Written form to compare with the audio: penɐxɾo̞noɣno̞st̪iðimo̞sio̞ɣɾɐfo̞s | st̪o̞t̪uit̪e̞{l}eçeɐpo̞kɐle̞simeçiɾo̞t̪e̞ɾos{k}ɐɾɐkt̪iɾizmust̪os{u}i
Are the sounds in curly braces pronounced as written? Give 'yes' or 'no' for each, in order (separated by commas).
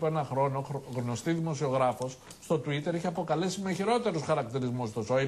no, no, no